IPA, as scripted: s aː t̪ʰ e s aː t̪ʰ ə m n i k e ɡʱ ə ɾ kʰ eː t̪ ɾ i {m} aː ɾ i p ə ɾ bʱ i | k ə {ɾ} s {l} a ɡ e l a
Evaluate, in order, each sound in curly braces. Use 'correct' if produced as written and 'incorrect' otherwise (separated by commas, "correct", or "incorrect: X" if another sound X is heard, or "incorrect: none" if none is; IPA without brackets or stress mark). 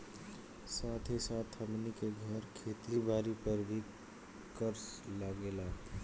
incorrect: b, correct, correct